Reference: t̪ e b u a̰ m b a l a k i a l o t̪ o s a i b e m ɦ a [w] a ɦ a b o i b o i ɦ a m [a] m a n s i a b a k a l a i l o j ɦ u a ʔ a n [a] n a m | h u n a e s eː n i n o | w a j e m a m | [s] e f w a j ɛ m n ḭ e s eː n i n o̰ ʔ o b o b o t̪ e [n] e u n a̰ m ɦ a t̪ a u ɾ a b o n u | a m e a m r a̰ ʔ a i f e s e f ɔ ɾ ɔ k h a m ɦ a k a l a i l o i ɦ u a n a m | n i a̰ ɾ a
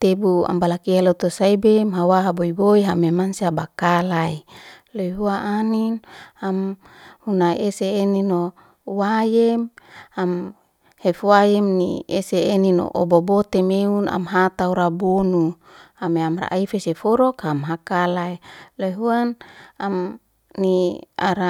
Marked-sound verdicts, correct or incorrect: correct, incorrect: e, incorrect: i, incorrect: h, incorrect: m

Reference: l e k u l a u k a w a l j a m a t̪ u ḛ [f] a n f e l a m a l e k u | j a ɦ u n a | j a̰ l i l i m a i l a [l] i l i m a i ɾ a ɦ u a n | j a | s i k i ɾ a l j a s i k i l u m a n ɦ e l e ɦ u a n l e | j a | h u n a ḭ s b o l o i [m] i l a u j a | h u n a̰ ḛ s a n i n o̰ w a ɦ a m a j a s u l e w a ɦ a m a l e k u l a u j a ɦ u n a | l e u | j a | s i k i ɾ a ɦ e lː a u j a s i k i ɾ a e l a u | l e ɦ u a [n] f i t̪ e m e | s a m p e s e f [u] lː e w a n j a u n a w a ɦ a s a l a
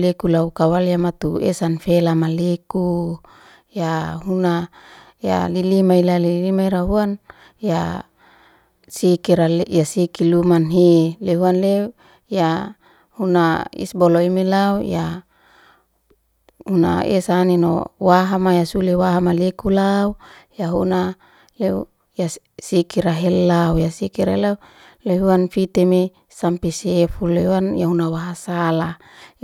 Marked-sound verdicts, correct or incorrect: incorrect: s, correct, correct, correct, correct

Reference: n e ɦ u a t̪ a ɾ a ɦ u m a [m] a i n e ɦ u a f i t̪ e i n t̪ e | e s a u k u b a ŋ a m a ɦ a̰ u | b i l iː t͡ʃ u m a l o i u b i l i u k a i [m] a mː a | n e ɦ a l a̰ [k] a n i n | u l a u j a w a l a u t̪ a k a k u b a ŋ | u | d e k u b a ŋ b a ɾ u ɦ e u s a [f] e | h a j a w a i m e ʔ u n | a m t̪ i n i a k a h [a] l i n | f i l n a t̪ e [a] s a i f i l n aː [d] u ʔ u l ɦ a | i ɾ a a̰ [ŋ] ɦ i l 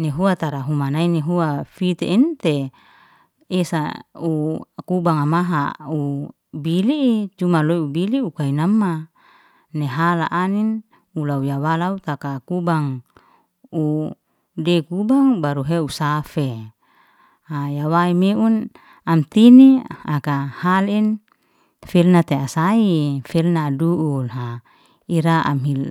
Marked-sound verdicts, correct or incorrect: incorrect: n, incorrect: n, incorrect: ʔ, correct, correct, correct, correct, incorrect: m

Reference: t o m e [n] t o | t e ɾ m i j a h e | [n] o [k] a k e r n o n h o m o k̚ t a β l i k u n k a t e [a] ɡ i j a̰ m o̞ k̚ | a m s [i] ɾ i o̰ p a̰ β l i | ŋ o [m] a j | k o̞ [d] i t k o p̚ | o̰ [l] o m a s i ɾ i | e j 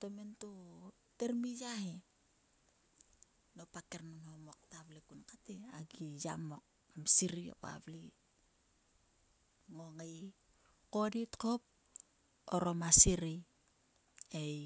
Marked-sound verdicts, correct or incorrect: correct, correct, incorrect: p, correct, correct, incorrect: ŋ, correct, incorrect: ɾ

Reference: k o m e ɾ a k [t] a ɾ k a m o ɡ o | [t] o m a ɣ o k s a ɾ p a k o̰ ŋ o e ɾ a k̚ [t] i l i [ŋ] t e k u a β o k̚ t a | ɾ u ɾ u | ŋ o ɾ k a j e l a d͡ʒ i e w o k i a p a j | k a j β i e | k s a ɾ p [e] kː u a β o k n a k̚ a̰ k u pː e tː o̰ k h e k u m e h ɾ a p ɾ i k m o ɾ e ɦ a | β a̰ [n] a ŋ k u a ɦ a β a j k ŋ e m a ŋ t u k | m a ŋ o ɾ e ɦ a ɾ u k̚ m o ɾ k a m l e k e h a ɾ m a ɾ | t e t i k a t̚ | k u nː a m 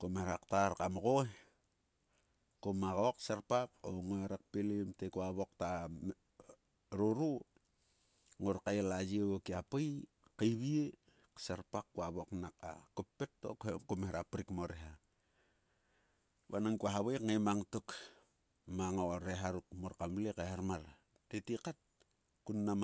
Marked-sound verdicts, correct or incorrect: correct, incorrect: k, incorrect: p, incorrect: m, incorrect: a, correct

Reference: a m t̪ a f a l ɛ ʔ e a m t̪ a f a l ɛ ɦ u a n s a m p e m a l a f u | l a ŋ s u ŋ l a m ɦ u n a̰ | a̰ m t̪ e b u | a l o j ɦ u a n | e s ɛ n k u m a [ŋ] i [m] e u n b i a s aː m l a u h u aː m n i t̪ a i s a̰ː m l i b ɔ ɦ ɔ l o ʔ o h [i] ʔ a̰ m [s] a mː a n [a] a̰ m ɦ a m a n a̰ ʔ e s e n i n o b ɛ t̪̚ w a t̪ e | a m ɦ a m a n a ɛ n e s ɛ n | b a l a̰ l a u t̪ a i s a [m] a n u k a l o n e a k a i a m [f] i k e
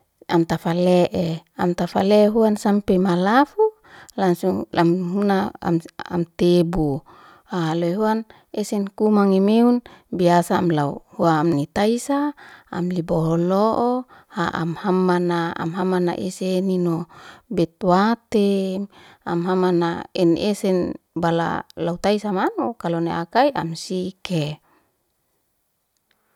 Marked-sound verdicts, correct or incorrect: correct, correct, incorrect: a, incorrect: h, correct, correct, incorrect: s

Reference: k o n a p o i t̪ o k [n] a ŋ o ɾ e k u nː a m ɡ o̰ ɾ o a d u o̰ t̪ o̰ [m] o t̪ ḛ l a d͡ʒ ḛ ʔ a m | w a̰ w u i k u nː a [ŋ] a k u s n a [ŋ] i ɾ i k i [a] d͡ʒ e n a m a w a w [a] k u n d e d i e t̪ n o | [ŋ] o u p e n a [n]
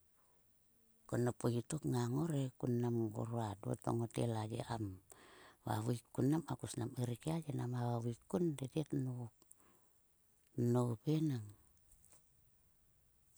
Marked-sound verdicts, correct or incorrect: incorrect: ŋ, incorrect: ŋ, incorrect: m, incorrect: m, correct, incorrect: i, incorrect: n, incorrect: ŋ

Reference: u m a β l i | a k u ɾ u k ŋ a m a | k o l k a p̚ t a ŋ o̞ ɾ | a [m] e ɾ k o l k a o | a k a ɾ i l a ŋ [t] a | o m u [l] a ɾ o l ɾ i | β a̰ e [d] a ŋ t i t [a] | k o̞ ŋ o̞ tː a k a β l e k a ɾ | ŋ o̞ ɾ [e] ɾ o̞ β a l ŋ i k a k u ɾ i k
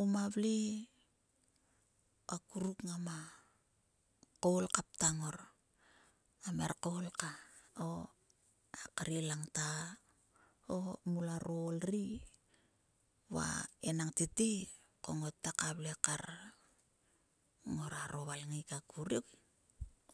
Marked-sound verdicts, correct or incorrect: correct, correct, correct, incorrect: n, incorrect: i, incorrect: a

